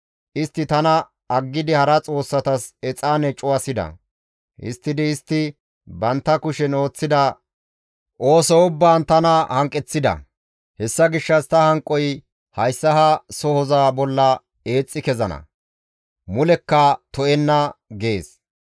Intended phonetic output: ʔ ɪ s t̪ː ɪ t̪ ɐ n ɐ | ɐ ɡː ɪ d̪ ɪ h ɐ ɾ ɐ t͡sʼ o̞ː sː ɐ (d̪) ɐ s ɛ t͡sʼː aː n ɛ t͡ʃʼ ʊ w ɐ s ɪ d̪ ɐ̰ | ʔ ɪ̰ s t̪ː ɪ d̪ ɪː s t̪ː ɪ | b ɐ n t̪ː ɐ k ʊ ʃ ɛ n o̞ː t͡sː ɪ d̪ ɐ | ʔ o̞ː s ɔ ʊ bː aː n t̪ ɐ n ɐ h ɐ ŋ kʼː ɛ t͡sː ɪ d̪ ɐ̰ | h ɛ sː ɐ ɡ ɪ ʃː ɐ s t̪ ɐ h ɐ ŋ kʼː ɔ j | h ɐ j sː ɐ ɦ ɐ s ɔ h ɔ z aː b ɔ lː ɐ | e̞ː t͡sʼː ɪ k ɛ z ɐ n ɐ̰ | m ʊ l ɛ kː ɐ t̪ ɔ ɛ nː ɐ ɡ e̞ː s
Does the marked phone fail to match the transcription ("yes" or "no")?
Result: yes